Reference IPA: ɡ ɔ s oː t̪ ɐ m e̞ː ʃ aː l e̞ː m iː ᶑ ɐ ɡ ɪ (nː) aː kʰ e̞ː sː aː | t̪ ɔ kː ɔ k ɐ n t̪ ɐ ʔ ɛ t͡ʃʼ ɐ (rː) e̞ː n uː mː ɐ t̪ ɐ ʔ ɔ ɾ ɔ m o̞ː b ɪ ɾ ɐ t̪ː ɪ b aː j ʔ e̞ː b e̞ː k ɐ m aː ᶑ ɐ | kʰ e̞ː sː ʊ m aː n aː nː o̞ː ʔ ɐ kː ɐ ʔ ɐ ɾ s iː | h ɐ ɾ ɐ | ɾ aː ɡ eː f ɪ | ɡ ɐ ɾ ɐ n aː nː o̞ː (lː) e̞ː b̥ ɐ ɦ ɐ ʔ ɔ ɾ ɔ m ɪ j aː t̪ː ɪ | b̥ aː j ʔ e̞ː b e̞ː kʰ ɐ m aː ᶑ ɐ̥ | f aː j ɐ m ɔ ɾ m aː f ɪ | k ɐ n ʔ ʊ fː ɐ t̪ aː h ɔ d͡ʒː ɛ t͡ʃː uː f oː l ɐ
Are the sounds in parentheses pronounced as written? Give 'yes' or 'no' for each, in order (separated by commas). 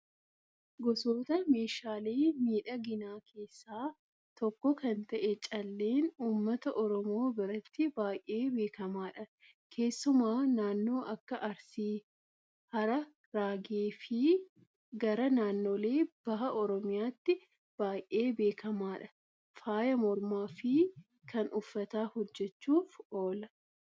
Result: no, no, no